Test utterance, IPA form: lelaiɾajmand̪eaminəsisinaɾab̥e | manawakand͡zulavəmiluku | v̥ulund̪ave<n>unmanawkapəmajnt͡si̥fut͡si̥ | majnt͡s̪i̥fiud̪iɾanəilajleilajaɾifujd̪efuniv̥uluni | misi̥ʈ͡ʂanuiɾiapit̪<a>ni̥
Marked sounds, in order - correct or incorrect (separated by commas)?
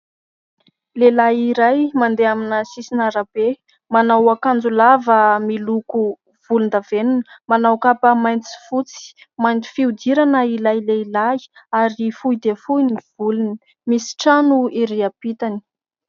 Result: correct, correct